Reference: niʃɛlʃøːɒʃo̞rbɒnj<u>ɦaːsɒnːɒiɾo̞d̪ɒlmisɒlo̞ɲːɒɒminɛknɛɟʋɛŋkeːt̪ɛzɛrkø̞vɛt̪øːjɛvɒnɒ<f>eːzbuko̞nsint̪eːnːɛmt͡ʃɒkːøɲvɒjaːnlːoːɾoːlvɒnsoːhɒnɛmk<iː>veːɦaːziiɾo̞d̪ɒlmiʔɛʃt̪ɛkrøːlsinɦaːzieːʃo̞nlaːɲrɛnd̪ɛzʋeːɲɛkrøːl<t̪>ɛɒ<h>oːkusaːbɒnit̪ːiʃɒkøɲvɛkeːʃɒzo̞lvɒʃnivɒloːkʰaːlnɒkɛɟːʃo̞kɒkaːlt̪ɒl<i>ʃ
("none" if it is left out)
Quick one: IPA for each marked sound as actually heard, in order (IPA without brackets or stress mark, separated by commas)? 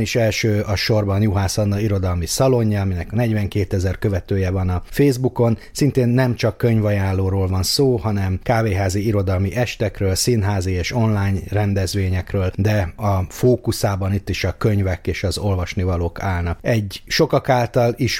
u, f, aː, d̪, f, i